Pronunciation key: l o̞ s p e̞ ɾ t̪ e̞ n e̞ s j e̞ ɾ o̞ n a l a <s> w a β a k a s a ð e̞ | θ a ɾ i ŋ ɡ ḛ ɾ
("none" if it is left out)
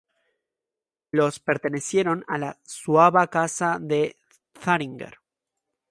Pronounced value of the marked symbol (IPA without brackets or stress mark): s